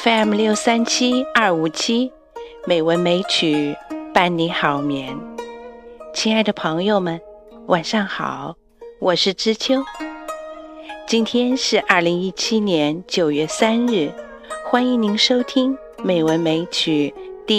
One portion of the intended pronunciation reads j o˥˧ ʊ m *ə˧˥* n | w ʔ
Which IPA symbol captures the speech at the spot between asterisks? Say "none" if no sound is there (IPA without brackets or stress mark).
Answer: ə˨